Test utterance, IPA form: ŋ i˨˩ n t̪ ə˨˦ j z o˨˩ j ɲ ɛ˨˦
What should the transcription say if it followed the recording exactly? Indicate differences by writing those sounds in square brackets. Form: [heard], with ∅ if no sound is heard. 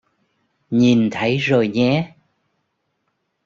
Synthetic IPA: [ɲ] i˨˩ n [t̪ʰ] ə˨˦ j z o˨˩ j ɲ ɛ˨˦